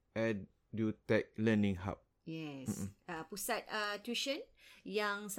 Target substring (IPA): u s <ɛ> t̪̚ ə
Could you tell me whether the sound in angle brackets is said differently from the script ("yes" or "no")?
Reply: yes